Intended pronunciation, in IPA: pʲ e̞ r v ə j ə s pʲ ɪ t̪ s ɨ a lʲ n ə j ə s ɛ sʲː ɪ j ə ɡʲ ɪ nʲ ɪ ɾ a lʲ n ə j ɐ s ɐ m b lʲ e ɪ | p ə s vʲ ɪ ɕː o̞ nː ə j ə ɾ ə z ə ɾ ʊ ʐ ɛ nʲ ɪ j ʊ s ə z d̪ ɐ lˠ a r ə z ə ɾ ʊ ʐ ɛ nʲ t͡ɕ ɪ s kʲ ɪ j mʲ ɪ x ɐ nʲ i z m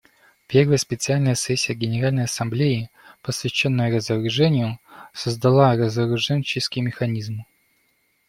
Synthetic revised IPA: pʲ e̞ r v ə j ə s pʲ ɪ t̪ s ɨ a lʲ n ə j ə s ɛ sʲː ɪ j ə ɡʲ ɪ nʲ ɪ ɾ a lʲ n ə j ɐ s ɐ m b lʲ e ɪ | p ə s vʲ ɪ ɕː o̞ nː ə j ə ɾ ə z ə ɾ ʊ ʐ ɛ nʲ ɪ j ʊ s ə z d̪ ɐ lˠ a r ə z ə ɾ ʊ ʐ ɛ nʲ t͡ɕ ɪ s kʲ ɪ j mʲ ɪ x ɐ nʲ i z m

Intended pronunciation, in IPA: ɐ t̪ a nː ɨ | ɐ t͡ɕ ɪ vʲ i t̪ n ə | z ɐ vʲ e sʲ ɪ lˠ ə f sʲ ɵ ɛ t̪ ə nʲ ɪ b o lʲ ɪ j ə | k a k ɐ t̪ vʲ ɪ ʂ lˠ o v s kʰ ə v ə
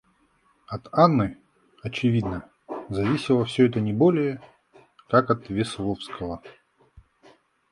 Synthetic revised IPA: ɐ t̪ a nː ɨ | ɐ t͡ɕ ɪ vʲ i d̪ n ə | z ɐ vʲ i sʲ ɪ lˠ ə f sʲ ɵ ɛ t̪ ə nʲ ɪ b o lʲ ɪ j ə | k a k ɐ t̪ vʲ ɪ s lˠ o f s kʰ ə v ə

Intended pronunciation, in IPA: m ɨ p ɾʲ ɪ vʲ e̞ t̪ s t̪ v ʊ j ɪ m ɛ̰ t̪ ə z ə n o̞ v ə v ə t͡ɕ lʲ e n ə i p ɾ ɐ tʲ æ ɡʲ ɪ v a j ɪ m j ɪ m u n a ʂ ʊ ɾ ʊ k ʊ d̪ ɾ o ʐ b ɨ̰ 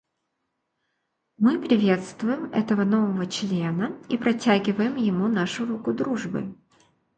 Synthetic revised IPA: m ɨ p ɾʲ ɪ vʲ e̞ t̪ s t̪ v ʊ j ɪ m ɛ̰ t̪ ə v ə n o̞ v ə v ə t͡ɕ lʲ e n ə i p ɾ ɐ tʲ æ ɡʲ ɪ v ə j ɪ m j ɪ m u n a ʂ ʊ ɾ u k ʊ d̪ ɾ u ʐ b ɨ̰

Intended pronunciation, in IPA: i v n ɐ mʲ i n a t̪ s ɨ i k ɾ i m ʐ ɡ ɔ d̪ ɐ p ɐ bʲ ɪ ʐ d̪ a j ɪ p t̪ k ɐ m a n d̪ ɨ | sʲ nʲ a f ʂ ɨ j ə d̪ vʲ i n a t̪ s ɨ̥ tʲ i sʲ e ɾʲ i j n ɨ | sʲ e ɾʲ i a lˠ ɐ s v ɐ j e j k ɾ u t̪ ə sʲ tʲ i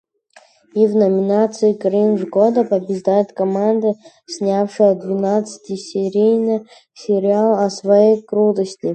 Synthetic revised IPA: i v n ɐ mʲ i n a t̪ s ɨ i k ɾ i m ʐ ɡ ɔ d̪ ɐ p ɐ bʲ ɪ ʐ d̪ a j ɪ t̪ k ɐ m a n d̪ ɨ | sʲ nʲ a f ʂ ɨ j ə d̪ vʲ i n a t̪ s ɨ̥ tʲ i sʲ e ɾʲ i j n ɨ | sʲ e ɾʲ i a lˠ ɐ s v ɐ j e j k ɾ u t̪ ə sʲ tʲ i

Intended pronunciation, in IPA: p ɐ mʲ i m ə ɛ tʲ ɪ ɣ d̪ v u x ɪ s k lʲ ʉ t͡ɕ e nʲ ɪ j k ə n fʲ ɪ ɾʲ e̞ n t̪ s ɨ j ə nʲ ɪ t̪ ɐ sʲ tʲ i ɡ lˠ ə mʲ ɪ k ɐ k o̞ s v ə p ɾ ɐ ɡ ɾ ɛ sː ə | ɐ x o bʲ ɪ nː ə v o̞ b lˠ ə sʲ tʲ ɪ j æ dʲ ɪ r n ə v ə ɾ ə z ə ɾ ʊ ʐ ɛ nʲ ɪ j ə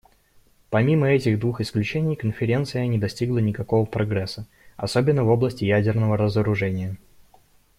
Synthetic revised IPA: p ɐ mʲ i m ə ɛ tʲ ɪ ɣ d̪ v u x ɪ s k lʲ ʉ t͡ɕ e nʲ ɪ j k ə n fʲ ɪ ɾʲ e̞ n t̪ s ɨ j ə nʲ ɪ d̪ ɐ sʲ tʲ i ɡ lˠ ə nʲ ɪ k ɐ k o̞ v ə p ɾ ɐ ɡ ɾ ɛ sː ə | ɐ s o bʲ ɪ nː ə v o̞ b lˠ ə sʲ tʲ ɪ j æ dʲ ɪ r n ə v ə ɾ ə z ə ɾ ʊ ʐ ɛ nʲ ɪ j ə

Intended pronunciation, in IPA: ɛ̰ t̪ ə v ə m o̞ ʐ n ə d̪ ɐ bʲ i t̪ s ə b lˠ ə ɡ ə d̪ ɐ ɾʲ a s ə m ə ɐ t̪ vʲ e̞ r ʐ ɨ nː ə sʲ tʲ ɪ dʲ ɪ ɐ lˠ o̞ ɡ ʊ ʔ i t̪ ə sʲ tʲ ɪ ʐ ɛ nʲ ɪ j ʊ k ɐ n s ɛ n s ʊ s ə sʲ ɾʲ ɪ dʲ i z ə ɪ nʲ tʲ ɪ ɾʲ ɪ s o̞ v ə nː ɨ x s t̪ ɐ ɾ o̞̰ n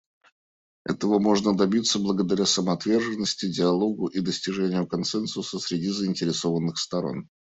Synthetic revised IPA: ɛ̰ t̪ ə v ə m o̞ ʐ n ə d̪ ɐ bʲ i t̪ s ə b lˠ ə ɡ ə d̪ ɐ ɾʲ a s ə m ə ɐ t̪ vʲ e̞ r ʐ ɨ nː ə sʲ tʲ ɪ dʲ ɪ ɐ lˠ o̞ ɡ ʊ ʔ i d̪ ə sʲ tʲ ɪ ʐ ɛ nʲ ɪ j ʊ k ɐ n s ɛ n s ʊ s ə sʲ ɾʲ ɪ dʲ i z ə ɪ nʲ tʲ ɪ ɾʲ ɪ s o̞ v ə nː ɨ x s t̪ ɐ ɾ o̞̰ n

